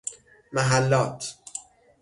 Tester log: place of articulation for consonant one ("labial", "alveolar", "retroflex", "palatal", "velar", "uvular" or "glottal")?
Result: labial